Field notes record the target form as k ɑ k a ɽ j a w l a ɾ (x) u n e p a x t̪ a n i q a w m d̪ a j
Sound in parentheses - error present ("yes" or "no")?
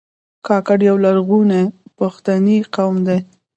yes